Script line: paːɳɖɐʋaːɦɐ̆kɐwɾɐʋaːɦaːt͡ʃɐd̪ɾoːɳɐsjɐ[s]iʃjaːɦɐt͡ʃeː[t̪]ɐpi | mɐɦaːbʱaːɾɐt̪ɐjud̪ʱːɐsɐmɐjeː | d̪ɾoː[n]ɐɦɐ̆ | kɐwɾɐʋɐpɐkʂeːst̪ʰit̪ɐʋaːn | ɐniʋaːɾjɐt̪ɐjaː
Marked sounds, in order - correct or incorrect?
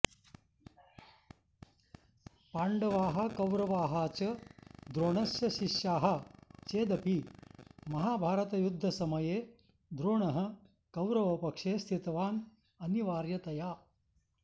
incorrect, incorrect, incorrect

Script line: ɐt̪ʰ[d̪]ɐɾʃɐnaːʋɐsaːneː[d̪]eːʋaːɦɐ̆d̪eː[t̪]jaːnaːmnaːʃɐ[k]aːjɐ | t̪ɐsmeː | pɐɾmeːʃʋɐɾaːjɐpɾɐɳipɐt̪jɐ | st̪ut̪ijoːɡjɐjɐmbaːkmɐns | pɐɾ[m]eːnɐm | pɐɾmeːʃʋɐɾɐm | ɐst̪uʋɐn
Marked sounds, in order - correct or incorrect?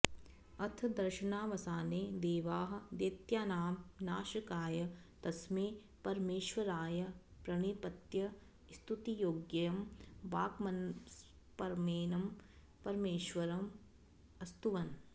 correct, correct, correct, correct, correct

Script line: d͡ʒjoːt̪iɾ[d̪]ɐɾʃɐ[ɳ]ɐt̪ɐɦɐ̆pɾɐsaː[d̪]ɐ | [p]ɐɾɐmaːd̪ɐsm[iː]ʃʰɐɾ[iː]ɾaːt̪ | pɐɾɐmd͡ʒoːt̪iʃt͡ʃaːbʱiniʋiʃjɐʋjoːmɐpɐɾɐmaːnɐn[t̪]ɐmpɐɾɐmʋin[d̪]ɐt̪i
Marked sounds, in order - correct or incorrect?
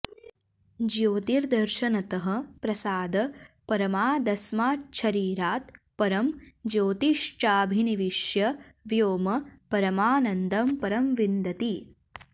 correct, incorrect, correct, correct, incorrect, correct, incorrect, correct

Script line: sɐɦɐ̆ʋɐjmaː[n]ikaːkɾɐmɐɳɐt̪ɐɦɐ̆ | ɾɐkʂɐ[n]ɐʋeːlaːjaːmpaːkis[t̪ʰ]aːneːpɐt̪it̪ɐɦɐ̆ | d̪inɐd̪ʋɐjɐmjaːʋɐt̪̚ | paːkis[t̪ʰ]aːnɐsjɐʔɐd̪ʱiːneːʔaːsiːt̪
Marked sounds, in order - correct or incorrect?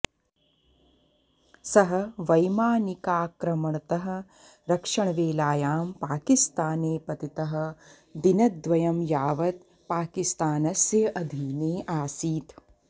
correct, incorrect, incorrect, incorrect

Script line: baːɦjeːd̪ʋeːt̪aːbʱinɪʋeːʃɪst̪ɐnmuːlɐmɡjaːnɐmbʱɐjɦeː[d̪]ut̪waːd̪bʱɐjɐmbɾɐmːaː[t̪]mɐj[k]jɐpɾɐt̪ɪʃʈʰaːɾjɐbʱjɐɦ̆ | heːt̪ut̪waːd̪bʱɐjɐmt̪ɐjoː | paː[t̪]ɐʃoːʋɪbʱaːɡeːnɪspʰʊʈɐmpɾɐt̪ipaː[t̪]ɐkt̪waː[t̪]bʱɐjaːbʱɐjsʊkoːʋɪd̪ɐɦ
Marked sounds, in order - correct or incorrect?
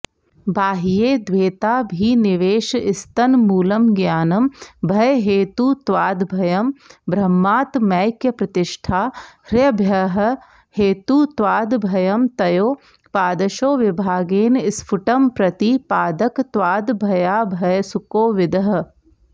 incorrect, correct, correct, incorrect, incorrect, incorrect

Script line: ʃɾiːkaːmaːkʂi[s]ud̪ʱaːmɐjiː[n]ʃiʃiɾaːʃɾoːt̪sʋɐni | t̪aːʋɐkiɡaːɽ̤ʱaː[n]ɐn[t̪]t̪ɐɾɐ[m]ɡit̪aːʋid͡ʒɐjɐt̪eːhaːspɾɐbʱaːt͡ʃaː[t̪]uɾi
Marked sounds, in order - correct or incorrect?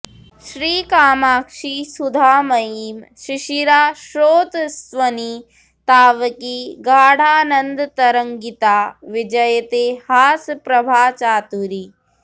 correct, incorrect, correct, incorrect, incorrect, correct

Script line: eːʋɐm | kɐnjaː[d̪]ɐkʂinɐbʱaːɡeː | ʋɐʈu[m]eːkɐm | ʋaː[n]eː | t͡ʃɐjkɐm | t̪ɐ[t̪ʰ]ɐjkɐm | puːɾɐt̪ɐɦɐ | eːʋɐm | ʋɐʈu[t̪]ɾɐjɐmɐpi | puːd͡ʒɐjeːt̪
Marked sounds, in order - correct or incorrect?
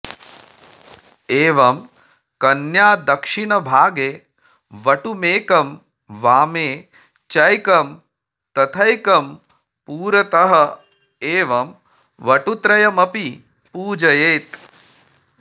correct, correct, incorrect, correct, correct

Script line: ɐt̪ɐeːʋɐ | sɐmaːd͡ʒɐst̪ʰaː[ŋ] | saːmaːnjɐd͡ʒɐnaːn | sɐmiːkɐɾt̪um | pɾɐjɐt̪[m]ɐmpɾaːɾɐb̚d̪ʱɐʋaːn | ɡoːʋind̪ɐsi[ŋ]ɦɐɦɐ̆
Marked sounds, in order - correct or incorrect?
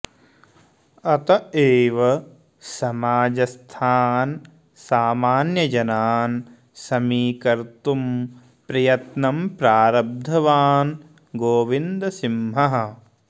incorrect, incorrect, incorrect

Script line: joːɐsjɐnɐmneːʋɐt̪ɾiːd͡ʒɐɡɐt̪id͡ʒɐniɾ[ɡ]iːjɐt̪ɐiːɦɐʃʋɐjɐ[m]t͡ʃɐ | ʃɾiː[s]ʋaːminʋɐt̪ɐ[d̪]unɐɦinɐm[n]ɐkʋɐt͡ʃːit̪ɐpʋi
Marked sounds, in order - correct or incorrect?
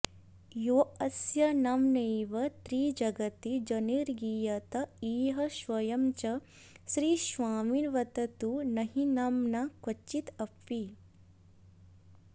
correct, correct, incorrect, incorrect, correct

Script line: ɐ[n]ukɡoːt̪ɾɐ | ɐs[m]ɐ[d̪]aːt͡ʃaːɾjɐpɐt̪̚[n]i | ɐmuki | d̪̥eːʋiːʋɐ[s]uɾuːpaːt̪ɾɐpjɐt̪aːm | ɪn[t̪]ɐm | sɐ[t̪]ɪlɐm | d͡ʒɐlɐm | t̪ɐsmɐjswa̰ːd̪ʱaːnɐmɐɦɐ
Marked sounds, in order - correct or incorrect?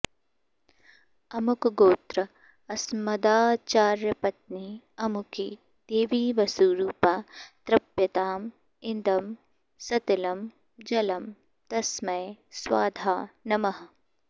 incorrect, correct, correct, correct, correct, incorrect, correct

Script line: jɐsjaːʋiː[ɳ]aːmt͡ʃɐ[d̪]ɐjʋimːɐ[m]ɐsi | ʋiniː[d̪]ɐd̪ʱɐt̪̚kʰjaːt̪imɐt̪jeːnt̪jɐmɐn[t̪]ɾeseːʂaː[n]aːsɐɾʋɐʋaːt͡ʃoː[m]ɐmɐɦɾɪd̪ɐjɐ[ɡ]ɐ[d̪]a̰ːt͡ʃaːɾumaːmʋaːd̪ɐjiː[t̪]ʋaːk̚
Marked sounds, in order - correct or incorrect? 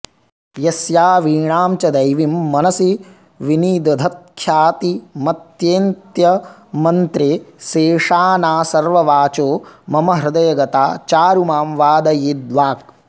correct, correct, incorrect, correct, correct, correct, correct, correct, incorrect, incorrect

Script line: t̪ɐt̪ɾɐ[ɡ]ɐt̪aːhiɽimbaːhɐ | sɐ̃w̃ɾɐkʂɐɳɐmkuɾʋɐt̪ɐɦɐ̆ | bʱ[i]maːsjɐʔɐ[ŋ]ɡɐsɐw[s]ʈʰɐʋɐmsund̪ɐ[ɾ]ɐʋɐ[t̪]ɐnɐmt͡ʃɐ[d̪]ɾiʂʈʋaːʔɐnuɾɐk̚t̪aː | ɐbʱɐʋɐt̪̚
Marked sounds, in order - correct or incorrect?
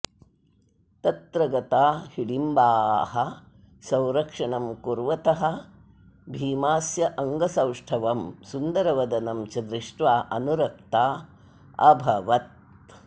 correct, incorrect, correct, incorrect, correct, incorrect, correct

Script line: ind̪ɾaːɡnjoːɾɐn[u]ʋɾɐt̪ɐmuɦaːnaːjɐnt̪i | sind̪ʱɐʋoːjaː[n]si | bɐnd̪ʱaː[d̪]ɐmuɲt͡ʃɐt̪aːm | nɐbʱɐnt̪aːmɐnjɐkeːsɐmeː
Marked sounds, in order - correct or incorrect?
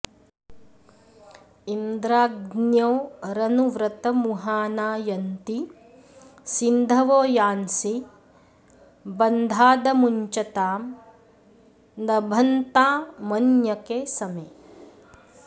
correct, correct, correct

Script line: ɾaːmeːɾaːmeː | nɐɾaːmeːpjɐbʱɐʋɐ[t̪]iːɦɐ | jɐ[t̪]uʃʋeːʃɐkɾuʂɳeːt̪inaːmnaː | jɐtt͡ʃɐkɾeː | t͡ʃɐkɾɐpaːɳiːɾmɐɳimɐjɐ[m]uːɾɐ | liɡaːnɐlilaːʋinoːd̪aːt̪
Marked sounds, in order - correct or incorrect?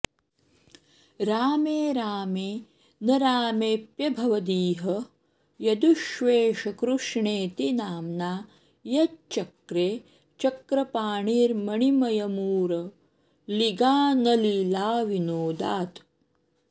incorrect, incorrect, correct

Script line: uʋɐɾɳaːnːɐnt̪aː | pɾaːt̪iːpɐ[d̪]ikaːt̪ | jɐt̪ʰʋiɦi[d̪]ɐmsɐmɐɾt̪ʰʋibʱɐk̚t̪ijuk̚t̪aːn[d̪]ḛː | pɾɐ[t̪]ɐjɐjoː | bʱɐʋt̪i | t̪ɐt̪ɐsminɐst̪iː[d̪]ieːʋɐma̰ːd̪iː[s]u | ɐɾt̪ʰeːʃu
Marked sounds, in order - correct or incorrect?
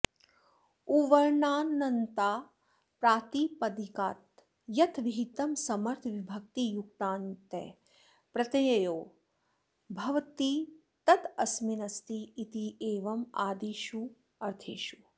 correct, incorrect, incorrect, correct, incorrect, incorrect

